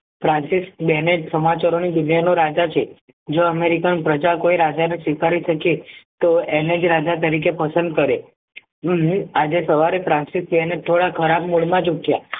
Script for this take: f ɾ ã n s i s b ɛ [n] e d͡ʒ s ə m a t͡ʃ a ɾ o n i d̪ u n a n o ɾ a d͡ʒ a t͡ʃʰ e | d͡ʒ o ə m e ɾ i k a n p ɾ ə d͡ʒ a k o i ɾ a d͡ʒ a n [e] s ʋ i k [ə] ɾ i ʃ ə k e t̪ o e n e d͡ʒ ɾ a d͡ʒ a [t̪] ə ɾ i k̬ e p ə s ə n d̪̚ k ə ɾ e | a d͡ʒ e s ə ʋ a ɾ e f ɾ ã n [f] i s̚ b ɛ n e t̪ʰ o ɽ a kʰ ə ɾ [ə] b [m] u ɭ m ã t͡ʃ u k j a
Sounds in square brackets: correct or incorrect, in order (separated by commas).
correct, correct, incorrect, correct, incorrect, incorrect, correct